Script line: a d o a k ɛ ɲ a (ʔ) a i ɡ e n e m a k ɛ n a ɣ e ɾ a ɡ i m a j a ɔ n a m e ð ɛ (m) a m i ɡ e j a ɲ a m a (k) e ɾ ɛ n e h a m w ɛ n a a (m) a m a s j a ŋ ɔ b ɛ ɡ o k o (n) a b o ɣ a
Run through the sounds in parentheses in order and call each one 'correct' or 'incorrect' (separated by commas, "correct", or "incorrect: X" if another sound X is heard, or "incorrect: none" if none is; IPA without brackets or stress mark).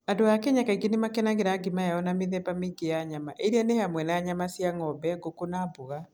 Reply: incorrect: k, incorrect: b, incorrect: ʔ, incorrect: ɲ, correct